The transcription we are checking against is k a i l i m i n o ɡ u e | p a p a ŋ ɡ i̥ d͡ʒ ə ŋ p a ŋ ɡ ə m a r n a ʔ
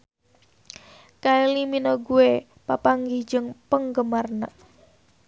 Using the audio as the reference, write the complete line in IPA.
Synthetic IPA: k a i l i m i n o ɡ u e | p a p a ŋ ɡ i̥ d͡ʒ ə ŋ p ə ŋ ɡ ə m a r n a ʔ